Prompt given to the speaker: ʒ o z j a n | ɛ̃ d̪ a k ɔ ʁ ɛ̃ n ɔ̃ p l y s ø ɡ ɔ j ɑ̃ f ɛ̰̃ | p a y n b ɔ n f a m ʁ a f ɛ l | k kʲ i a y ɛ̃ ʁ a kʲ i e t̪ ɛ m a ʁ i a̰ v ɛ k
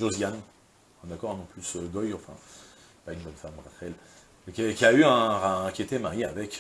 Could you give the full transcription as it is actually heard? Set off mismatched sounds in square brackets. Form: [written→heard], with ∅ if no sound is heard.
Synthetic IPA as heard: ʒ o z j a n | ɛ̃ d̪ a k ɔ ʁ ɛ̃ n ɔ̃ p l y s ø ɡ ɔ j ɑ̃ f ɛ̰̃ | p a y n b ɔ n f a m ʁ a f ɛ l | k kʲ i a y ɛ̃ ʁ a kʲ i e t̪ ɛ m a ʁ i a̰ v ɛ k